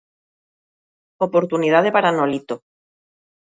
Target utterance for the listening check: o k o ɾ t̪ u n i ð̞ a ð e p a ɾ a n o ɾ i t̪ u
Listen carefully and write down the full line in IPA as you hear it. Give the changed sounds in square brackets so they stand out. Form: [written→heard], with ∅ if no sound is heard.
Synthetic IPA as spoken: o [k→p] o ɾ t̪ u n i ð̞ a ð e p a ɾ a n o [ɾ→l] i t̪ [u→o]